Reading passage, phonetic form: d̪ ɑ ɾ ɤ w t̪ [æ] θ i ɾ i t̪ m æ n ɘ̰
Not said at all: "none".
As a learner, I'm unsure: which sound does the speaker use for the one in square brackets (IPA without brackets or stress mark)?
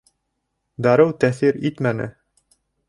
æ